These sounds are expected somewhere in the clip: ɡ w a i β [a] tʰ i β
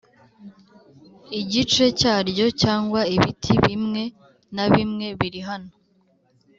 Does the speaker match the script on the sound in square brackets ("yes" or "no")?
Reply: no